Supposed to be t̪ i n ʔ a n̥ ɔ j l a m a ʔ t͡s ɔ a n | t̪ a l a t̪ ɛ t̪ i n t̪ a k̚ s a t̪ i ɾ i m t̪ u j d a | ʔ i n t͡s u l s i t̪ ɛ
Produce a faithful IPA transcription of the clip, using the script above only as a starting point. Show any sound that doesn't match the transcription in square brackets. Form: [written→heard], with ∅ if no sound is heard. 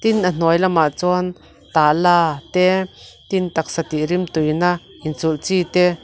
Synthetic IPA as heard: t̪ i n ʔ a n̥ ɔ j l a m a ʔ t͡s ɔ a n | t̪ a l a t̪ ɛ t̪ i n t̪ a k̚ s a t̪ i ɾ i m t̪ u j [d→n] a | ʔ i n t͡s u l [s→t͡s] i t̪ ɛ

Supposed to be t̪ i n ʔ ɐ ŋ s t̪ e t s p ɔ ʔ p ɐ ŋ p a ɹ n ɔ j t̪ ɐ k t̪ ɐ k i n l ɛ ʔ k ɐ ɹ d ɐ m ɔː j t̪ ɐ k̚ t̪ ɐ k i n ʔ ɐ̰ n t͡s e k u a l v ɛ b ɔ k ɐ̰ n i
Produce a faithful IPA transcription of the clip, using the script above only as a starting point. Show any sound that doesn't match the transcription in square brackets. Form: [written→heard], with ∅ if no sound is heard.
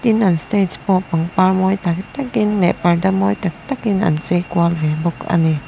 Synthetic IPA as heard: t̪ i n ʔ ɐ [ŋ→n] s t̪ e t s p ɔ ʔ p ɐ ŋ p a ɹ [n→m] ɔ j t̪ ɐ k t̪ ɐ k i n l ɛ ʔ [k→p] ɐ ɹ d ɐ m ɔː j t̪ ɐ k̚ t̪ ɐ k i n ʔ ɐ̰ n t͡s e k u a l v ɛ b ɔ k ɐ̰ n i

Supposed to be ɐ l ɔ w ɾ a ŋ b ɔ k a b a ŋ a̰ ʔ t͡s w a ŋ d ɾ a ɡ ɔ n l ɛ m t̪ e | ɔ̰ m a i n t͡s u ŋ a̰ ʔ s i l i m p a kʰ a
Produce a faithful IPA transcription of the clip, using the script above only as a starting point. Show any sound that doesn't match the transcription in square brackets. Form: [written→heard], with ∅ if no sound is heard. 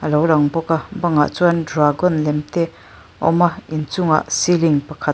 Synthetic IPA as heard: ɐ l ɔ w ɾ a ŋ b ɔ k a b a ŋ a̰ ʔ t͡s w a [ŋ→n] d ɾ a ɡ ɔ n l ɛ m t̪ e | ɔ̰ m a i n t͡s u ŋ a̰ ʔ s i l i [m→ŋ] p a kʰ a

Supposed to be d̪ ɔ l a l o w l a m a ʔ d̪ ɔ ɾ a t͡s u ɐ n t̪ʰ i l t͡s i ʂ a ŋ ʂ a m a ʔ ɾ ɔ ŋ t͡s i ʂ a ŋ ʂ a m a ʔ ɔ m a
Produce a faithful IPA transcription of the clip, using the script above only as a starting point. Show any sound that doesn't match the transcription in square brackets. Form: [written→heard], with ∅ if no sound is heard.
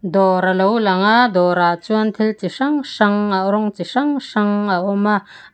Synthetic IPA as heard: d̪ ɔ [l→ɾ] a l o w l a [m→ŋ] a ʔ d̪ ɔ ɾ a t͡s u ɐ n t̪ʰ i l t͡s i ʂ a ŋ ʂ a [m→ŋ] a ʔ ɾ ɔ ŋ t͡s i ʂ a ŋ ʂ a [m→ŋ] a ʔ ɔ m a

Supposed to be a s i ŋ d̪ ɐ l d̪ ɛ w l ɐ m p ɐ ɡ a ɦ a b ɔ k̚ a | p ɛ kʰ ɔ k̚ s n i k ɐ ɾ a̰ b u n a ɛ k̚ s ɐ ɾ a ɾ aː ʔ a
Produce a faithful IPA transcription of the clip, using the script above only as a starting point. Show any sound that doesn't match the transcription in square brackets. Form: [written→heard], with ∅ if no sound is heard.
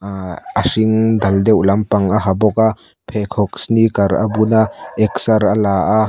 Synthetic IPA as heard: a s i ŋ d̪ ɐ l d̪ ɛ w l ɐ m p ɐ [ɡ→ŋ] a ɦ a b ɔ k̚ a | [p→pʰ] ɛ kʰ ɔ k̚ s n i k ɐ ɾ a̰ b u n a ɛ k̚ s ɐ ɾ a [ɾ→l] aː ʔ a

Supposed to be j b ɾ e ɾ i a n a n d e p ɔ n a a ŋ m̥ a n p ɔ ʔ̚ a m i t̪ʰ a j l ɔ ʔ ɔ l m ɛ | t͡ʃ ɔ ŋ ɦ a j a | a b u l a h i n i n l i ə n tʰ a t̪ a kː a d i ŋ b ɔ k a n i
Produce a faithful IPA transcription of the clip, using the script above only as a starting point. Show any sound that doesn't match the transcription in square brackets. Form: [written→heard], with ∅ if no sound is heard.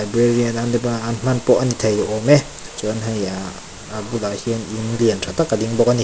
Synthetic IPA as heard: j b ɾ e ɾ i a n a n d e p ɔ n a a [ŋ→n] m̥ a n p ɔ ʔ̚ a [m→n] i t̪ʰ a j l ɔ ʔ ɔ [l→∅] m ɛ | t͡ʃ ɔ [ŋ→n] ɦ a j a | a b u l a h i n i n l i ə n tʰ a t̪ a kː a d i ŋ b ɔ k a n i

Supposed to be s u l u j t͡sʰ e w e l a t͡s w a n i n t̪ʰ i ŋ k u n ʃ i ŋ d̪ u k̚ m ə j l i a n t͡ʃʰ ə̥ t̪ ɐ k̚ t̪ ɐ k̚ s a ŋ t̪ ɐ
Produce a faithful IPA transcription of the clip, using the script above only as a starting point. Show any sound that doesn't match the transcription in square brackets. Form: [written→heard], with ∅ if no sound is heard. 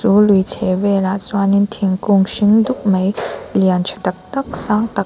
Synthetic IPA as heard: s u l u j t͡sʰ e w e l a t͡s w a n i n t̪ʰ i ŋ k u [n→ŋ] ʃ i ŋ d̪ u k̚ m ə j l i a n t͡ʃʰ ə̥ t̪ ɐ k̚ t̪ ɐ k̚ s a ŋ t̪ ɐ

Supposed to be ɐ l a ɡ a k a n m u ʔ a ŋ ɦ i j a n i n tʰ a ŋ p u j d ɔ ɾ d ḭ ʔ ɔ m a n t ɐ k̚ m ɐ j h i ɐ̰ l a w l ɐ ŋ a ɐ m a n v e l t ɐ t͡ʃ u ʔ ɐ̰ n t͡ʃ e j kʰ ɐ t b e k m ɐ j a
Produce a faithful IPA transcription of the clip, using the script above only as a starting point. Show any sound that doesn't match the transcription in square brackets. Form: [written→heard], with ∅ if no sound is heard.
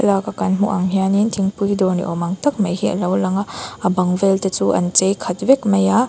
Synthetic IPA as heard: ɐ l a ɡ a k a n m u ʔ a ŋ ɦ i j a n i n tʰ [a→i] ŋ p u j d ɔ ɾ [d→n] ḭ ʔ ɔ m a [n→ŋ] t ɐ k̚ m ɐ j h i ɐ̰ l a w l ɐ ŋ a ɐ [m→b] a [n→ŋ] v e l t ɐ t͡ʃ u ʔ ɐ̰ n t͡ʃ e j kʰ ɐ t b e k m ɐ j a

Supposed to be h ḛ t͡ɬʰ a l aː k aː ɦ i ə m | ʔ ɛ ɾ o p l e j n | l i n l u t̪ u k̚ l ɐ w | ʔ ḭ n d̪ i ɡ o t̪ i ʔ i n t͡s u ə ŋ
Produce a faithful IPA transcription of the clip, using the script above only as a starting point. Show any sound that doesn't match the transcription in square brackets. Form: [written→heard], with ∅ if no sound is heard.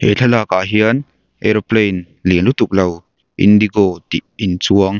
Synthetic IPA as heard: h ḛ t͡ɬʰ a l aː k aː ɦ i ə [m→n] | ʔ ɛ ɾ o p l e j n | l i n l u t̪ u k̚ l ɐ w | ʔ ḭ n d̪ i ɡ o t̪ i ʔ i n t͡s u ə ŋ

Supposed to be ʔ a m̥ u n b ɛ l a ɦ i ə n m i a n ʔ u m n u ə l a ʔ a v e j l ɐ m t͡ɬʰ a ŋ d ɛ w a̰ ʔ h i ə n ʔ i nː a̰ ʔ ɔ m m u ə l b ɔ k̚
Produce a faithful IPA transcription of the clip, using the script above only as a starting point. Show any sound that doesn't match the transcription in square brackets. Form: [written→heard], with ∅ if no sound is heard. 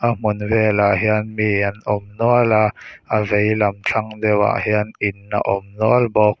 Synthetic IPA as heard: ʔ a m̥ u n [b→v] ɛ l a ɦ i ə n m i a n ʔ [u→ɔ] m n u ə l a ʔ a v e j l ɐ m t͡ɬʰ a ŋ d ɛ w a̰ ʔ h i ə n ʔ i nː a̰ ʔ ɔ m [m→n] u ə l b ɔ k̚

